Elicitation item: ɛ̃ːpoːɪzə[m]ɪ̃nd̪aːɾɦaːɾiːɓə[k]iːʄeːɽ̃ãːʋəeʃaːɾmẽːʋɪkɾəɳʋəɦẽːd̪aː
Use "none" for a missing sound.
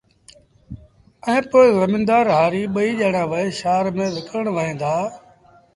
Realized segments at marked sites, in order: m, none

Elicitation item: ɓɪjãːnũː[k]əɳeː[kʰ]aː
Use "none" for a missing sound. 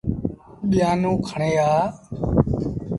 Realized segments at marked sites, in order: kʰ, none

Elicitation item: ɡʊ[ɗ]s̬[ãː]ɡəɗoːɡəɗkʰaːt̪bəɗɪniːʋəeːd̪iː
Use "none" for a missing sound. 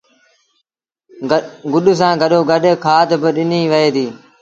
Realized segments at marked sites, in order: ɗ, ãː

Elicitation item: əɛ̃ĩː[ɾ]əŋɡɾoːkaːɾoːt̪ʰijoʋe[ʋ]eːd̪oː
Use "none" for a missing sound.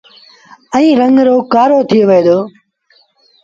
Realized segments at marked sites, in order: ɾ, none

